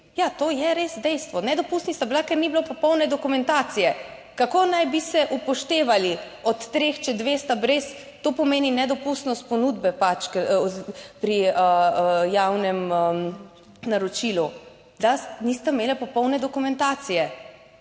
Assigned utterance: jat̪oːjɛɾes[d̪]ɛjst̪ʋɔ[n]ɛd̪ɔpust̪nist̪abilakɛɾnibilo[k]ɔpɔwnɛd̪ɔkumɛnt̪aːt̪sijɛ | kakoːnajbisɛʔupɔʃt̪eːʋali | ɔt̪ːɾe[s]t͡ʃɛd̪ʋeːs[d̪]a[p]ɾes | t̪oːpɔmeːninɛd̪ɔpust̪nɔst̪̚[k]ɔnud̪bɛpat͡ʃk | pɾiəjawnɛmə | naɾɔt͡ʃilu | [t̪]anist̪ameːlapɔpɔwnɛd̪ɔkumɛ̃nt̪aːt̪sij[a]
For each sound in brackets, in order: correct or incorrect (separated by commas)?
correct, correct, incorrect, incorrect, incorrect, incorrect, incorrect, incorrect, incorrect